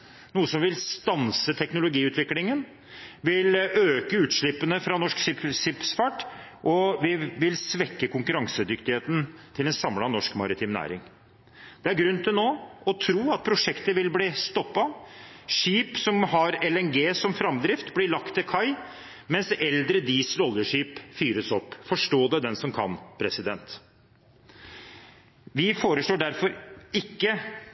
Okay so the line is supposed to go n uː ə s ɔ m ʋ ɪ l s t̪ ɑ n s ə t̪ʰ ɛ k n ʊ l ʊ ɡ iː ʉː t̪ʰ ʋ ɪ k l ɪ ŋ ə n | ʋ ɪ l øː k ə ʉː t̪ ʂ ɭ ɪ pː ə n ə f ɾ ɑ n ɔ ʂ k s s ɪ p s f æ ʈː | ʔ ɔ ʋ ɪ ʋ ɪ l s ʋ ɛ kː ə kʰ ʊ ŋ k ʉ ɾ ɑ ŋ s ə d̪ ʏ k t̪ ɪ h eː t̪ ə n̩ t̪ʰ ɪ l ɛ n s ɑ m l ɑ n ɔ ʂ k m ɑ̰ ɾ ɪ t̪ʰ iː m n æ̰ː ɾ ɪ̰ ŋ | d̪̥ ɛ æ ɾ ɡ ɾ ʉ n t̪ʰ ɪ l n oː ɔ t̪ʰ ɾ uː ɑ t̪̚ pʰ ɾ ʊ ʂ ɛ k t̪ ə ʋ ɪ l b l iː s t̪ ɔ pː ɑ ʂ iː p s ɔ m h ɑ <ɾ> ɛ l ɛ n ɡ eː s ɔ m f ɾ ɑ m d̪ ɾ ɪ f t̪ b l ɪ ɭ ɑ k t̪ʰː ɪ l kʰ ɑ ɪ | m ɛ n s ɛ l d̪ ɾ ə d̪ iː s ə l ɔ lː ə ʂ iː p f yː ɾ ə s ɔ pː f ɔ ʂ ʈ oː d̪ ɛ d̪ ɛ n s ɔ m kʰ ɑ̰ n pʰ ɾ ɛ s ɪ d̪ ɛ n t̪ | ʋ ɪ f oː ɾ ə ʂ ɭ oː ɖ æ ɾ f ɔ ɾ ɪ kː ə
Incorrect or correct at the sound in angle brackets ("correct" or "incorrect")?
correct